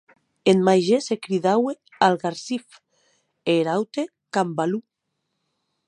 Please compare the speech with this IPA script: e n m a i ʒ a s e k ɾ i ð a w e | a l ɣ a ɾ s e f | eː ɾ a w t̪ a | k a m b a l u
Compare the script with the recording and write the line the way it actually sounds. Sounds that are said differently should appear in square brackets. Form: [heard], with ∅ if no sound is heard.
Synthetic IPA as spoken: e n m a [j] ʒ [e] s e k ɾ i ð a w e | a l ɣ a ɾ s [i] f | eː ɾ a w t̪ [e] | k a m b a l u